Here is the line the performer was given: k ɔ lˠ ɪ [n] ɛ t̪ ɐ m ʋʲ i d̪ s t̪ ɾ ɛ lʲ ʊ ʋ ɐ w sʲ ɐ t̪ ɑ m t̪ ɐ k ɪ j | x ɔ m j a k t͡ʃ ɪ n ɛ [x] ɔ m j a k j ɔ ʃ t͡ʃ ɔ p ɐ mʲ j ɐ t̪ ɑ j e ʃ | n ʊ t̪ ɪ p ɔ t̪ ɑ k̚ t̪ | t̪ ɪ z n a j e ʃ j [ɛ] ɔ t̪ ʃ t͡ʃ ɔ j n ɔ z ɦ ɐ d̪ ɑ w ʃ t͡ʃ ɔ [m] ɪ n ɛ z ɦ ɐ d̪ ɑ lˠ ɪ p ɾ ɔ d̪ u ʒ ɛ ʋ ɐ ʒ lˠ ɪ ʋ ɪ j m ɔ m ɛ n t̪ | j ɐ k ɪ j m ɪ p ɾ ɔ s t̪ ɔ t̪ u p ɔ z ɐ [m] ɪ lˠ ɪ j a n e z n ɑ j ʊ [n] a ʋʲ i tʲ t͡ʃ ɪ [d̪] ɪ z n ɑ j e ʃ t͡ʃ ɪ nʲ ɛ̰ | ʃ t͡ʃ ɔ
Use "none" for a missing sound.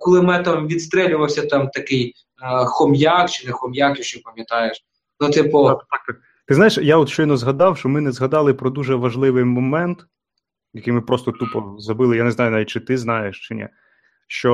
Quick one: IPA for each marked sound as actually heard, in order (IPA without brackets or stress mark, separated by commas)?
m, x, a, m, b, n, t̪